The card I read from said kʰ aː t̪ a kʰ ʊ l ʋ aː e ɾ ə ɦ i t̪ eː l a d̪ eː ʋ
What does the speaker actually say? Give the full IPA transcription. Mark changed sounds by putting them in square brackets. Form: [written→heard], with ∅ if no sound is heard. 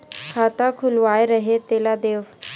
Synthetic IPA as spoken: kʰ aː t̪ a kʰ ʊ l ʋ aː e ɾ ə ɦ [i→e] t̪ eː l a d̪ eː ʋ